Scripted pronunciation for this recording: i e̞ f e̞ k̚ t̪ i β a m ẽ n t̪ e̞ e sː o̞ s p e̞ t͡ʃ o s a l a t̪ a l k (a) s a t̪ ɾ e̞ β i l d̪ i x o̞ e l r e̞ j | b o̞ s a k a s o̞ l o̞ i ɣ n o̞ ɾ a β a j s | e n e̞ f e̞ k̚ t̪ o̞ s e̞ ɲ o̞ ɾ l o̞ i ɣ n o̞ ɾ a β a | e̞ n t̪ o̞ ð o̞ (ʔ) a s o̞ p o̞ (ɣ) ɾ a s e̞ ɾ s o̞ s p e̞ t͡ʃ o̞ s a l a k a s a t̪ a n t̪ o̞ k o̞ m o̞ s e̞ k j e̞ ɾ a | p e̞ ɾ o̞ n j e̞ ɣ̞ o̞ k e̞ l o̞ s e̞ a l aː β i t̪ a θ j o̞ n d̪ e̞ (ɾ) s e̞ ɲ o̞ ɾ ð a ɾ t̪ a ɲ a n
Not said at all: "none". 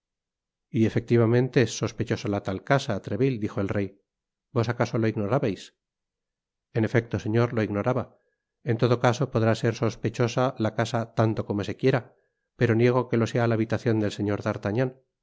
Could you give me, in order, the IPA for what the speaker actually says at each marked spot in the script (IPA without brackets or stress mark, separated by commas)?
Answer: a, k, ð, l